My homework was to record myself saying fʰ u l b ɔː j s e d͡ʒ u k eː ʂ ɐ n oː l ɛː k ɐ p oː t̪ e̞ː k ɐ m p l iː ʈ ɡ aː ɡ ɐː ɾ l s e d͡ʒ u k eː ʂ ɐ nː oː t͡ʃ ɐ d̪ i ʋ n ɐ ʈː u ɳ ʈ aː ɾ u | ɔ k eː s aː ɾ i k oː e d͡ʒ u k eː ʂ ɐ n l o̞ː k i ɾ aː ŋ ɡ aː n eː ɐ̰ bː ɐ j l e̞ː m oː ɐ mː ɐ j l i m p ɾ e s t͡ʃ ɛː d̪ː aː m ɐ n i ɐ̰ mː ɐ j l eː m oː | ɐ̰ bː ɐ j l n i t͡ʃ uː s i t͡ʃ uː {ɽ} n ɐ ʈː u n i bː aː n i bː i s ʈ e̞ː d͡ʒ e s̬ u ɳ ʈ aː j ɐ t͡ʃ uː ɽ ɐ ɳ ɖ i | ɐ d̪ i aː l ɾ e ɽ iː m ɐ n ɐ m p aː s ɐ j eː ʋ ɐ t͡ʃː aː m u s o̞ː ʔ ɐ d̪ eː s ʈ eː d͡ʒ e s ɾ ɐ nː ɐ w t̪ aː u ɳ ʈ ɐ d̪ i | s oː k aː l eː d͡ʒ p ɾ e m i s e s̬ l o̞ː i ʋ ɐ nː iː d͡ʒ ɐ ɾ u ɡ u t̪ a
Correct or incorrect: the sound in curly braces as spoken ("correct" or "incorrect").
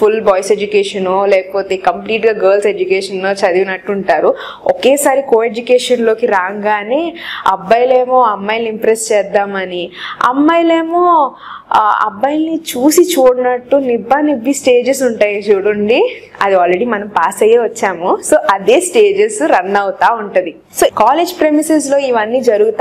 correct